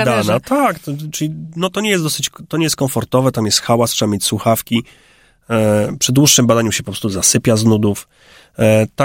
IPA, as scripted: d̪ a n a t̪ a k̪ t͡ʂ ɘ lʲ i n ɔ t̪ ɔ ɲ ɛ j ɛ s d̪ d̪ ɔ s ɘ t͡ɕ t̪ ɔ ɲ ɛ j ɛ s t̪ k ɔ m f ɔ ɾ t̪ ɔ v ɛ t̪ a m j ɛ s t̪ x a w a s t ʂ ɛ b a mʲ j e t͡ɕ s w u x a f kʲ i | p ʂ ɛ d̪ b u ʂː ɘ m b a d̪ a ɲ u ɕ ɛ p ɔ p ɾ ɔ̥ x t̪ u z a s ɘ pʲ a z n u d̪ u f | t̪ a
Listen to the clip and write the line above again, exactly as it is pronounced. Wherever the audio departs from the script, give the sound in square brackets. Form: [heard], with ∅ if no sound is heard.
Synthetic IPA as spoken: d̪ a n a t̪ a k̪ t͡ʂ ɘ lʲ i n ɔ t̪ ɔ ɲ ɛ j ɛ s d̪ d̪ ɔ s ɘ t͡ɕ t̪ ɔ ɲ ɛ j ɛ s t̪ k ɔ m f ɔ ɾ t̪ ɔ v ɛ t̪ a m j ɛ s t̪ x a w a s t ʂ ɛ b a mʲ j e t͡ɕ s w u x a f kʲ i | p ʂ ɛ d̪ [w] u ʂː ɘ m b a d̪ a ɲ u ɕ ɛ p ɔ p ɾ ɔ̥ [s] t̪ u z a s ɘ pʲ a z n u d̪ u f | t̪ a